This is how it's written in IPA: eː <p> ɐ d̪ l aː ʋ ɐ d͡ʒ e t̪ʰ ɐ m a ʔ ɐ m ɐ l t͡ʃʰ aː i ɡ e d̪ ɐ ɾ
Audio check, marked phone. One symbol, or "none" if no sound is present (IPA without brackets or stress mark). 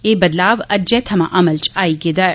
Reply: b